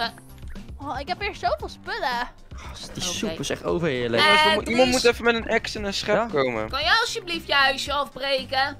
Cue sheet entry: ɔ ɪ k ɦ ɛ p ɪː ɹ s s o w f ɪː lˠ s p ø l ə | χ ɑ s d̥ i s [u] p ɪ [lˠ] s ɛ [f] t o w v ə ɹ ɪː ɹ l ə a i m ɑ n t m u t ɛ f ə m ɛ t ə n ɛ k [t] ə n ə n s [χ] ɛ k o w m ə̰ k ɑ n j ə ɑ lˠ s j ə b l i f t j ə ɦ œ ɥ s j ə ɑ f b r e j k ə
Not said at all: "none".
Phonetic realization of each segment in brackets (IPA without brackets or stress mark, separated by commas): u, none, χ, s, χ